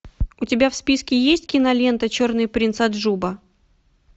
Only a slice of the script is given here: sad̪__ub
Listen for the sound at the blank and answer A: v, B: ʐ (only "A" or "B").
B